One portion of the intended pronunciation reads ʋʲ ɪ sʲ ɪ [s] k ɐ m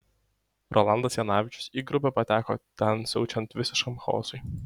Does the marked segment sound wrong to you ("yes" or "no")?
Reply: yes